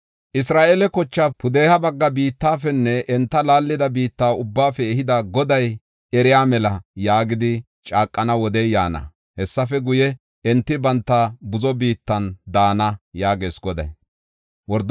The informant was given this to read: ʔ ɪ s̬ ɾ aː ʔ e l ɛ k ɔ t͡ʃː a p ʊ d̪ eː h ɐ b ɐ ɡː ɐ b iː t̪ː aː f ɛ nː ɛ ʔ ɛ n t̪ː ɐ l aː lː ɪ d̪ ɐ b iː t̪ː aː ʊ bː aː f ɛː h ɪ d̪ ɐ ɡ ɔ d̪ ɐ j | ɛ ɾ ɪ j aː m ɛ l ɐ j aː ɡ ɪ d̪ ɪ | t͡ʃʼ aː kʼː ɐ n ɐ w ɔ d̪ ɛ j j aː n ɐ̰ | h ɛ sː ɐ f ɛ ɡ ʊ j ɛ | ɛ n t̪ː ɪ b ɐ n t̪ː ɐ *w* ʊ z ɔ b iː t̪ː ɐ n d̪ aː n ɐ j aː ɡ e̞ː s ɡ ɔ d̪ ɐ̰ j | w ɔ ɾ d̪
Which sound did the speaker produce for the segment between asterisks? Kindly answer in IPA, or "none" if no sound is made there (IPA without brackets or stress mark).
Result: b